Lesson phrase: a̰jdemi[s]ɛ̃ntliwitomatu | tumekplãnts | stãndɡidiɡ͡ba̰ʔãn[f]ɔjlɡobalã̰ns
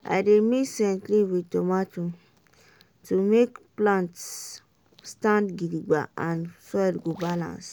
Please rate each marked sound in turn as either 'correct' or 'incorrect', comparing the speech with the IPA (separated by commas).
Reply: correct, incorrect